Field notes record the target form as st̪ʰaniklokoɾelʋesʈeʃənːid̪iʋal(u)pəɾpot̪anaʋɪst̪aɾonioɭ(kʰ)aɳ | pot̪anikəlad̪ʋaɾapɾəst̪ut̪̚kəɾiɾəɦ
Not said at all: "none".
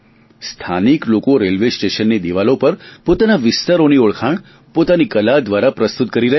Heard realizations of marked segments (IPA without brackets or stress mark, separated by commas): o, kʰ